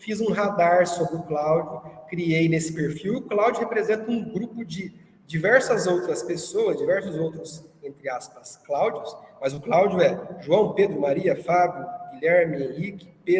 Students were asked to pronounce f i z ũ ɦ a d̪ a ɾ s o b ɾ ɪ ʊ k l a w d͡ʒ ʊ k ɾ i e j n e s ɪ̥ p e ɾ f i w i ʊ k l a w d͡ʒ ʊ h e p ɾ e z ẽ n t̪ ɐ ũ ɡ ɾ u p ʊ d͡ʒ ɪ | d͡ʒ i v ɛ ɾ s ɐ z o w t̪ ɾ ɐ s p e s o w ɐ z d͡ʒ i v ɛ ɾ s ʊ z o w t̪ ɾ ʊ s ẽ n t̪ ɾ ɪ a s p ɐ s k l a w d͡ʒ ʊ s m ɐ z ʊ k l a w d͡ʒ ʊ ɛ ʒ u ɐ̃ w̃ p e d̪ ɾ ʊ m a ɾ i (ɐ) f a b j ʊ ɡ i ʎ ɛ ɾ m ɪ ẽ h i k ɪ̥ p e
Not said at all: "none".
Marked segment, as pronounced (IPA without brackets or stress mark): ɐ